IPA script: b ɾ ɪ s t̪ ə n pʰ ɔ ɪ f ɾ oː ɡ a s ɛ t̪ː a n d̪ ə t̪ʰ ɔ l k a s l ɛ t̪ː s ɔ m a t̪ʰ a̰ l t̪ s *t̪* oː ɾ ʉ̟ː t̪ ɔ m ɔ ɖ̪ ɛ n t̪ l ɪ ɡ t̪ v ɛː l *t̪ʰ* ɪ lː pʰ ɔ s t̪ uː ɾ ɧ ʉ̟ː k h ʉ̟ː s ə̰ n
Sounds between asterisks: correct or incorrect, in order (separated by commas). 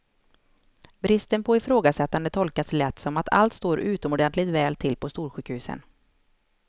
correct, correct